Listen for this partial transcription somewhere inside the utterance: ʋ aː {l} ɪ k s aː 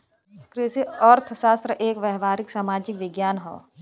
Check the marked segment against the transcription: incorrect: ɾ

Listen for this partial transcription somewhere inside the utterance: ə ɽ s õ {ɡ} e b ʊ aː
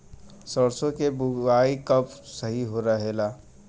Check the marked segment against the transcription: incorrect: k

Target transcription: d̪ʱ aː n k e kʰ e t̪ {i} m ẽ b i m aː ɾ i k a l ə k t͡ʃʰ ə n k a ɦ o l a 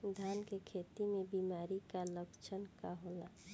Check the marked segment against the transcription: correct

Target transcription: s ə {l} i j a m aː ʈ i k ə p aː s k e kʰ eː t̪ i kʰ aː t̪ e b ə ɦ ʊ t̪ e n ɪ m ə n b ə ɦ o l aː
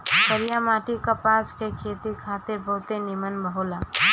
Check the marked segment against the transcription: incorrect: ɾ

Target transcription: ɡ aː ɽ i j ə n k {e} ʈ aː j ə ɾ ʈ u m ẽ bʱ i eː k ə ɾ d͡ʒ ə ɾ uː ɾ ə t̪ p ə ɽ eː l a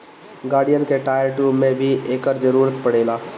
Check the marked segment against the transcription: correct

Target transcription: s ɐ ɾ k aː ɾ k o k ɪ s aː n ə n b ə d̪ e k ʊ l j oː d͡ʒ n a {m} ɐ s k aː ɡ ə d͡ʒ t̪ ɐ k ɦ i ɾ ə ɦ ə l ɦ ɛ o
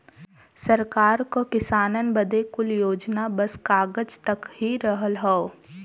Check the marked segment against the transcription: incorrect: b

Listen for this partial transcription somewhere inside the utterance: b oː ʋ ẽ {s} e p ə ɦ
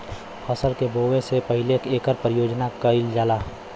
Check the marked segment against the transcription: correct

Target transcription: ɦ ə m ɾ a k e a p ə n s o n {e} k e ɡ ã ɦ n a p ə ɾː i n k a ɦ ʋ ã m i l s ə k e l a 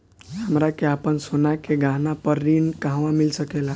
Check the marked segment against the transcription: incorrect: a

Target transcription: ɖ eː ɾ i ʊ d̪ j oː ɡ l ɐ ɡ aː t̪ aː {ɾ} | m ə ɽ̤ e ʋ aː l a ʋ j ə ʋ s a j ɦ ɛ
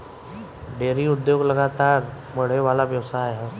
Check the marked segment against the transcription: correct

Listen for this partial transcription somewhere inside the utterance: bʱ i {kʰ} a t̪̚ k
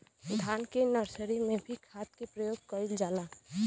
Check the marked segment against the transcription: correct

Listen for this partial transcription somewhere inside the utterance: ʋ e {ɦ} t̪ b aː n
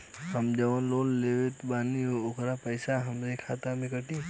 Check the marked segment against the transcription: incorrect: none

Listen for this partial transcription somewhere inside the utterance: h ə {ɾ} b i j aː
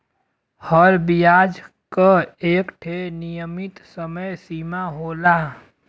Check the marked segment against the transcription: correct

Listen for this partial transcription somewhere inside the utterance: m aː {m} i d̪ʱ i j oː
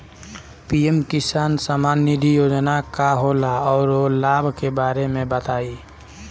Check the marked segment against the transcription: incorrect: n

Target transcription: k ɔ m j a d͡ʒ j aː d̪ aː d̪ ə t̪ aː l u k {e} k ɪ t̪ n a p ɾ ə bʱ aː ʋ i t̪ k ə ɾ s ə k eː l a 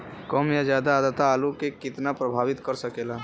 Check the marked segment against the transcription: correct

